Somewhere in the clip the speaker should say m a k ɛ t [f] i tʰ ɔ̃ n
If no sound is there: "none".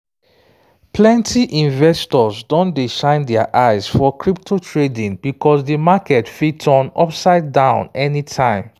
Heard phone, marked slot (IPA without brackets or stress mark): f